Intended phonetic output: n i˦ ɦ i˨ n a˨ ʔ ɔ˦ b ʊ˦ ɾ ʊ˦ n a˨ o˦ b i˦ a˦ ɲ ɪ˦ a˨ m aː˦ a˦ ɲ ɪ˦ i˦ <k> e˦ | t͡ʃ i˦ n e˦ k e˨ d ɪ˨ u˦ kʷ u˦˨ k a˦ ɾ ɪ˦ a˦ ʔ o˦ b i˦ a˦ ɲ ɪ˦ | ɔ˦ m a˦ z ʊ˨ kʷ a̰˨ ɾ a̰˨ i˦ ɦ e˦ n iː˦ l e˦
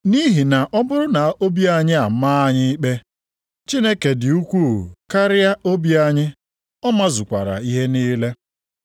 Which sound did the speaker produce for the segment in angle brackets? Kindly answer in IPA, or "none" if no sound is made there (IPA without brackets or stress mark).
k͡p